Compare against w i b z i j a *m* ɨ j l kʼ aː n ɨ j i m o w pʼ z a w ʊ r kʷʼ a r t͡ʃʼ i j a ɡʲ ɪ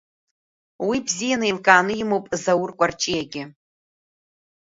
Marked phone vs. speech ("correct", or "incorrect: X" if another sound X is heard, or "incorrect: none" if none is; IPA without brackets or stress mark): incorrect: n